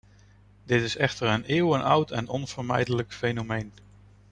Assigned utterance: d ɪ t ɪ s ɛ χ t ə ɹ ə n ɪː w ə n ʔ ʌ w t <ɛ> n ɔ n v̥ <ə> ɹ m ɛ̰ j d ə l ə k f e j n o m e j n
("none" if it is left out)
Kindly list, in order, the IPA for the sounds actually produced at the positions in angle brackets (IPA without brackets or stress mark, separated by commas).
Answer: ɛ, ə